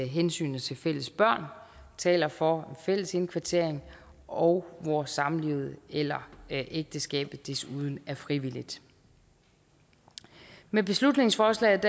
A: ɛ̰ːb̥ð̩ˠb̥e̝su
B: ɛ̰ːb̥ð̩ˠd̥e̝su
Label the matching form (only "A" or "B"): B